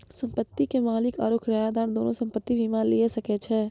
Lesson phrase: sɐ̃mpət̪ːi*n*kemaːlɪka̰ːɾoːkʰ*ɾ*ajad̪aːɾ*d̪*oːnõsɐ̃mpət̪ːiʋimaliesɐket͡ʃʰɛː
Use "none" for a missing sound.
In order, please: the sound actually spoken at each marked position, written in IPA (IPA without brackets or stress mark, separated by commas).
none, ɾ, d̪